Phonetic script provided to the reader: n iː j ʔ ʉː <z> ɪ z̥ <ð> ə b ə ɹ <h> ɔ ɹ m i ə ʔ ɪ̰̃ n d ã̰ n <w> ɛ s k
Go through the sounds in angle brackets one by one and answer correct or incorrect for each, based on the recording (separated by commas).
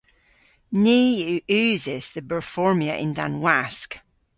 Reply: correct, correct, incorrect, correct